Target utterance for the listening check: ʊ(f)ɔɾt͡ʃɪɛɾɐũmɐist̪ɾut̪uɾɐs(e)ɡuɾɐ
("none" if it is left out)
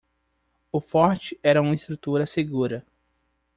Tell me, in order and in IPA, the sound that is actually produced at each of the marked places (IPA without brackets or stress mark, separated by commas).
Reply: f, e